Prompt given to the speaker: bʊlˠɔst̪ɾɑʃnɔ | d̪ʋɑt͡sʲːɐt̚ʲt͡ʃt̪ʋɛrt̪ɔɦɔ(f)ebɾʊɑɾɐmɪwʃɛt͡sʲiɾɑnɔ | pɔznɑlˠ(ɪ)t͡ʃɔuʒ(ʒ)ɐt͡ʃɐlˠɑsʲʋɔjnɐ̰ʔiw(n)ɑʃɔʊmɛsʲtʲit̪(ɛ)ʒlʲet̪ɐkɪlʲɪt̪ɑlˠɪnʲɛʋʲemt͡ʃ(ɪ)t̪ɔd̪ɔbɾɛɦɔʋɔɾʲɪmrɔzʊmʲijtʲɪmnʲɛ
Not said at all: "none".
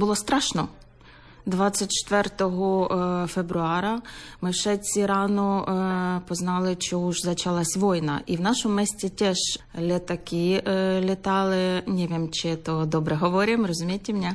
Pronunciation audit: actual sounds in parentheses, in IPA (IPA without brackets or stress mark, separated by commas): f, ɪ, z, n, ɛ, ɪ